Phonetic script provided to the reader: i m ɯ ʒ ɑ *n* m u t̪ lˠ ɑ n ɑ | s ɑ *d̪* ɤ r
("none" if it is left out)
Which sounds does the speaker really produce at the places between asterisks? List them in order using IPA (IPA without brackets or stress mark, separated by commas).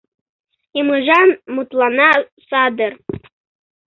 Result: n, d̪